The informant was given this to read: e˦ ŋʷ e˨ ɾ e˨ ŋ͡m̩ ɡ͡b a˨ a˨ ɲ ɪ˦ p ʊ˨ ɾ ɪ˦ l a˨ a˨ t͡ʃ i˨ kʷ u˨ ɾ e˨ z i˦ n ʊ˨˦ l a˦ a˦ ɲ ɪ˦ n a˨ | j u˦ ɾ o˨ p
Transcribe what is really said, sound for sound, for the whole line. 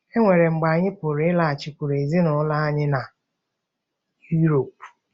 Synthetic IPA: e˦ ŋʷ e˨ ɾ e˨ ŋ͡m̩ ɡ͡b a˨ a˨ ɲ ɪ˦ p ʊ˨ ɾ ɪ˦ l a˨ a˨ t͡ʃ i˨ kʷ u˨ ɾ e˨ z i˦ n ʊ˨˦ l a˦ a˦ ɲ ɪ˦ n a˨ | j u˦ ɾ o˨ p